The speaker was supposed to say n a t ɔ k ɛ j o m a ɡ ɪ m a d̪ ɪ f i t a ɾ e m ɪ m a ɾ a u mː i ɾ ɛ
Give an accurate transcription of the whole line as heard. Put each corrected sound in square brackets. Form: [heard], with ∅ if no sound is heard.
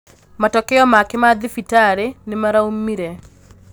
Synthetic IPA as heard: [m] a t ɔ k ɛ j [ɔ] m a [k] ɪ m a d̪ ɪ f i t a ɾ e [n] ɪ m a ɾ a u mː i ɾ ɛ

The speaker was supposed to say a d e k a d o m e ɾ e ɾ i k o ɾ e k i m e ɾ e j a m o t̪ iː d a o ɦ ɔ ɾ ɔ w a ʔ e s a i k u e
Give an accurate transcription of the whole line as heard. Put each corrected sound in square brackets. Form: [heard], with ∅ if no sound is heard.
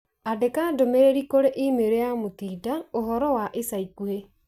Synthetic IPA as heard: a d e k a d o m e ɾ e ɾ i k o ɾ e [ʔ] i m e ɾ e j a m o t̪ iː d a o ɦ ɔ ɾ ɔ w a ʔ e s a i k u e

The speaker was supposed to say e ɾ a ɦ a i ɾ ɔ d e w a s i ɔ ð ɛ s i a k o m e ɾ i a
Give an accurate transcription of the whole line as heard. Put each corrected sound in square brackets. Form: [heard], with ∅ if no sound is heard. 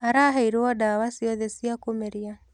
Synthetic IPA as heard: [a] ɾ a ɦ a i ɾ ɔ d [a] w a s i ɔ ð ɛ s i a k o m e ɾ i a

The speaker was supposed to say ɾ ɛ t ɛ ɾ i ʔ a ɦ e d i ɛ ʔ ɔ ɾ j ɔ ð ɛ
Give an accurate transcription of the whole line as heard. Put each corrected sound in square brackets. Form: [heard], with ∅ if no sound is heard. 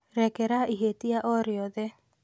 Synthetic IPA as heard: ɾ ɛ [k] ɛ ɾ [a] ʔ [i] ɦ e [t] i [a] ʔ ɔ ɾ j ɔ ð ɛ

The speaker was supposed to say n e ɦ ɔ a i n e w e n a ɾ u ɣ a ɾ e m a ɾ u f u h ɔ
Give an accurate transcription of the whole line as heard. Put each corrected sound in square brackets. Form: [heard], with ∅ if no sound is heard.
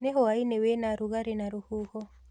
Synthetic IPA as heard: n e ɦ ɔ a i n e w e n a ɾ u ɣ a ɾ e [n] a ɾ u [h] u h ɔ

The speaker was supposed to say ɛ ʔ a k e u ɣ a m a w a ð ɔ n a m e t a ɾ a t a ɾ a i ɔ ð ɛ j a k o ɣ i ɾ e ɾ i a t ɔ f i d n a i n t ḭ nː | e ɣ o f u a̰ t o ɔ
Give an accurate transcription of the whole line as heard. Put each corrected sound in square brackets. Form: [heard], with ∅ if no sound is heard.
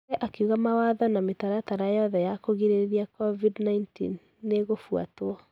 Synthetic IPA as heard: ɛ ʔ a k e u ɣ a m a w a ð ɔ n a m e t a ɾ a t a ɾ a [j] ɔ ð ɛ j a k o ɣ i ɾ e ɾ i a [k] ɔ [v] i d n a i n t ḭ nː | e ɣ o f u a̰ t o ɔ

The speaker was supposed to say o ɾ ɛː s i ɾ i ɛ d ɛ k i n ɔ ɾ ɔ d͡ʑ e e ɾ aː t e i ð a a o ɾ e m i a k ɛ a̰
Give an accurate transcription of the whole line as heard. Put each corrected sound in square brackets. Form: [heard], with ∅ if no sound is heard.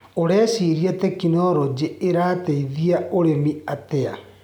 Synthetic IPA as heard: o ɾ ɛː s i ɾ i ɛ [t] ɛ k i n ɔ ɾ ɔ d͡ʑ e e ɾ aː t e i ð [i] a o ɾ e m i a [t] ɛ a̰

